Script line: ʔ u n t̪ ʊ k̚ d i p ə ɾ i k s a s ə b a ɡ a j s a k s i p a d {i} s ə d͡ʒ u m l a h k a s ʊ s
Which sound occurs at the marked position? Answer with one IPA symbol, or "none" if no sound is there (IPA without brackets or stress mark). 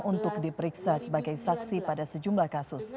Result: a